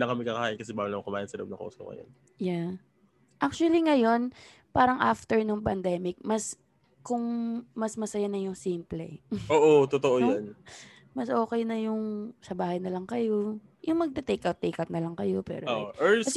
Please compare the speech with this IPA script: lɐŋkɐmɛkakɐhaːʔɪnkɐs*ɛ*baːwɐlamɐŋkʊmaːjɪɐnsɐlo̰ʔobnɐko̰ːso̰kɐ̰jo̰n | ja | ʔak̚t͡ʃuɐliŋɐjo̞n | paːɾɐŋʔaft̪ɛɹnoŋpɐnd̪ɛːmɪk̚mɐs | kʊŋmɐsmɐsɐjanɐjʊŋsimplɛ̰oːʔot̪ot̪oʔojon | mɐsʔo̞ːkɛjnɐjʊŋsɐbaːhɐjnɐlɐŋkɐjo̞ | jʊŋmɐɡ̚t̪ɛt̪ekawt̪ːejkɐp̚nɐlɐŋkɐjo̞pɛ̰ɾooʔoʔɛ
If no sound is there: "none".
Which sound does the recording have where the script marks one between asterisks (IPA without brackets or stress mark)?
ɛ